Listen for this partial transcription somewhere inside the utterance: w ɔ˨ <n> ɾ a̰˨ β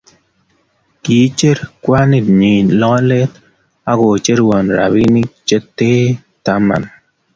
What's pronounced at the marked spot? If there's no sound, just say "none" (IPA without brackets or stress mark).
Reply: n